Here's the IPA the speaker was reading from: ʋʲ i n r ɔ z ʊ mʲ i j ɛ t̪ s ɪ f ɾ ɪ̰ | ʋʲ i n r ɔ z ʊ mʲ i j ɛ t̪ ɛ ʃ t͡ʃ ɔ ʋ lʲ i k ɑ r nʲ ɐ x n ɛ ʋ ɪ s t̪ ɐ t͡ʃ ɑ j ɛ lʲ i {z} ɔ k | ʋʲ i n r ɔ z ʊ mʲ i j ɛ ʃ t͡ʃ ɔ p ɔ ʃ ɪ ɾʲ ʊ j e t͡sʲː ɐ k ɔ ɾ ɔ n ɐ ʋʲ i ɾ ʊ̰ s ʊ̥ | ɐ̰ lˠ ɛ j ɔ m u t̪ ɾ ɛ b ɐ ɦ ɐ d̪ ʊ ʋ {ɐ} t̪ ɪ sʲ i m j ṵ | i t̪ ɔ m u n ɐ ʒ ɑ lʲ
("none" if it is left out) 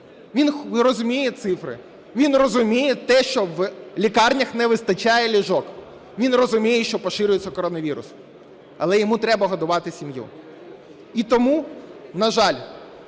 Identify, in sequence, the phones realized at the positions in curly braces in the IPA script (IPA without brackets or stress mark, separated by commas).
ʒ, ɑ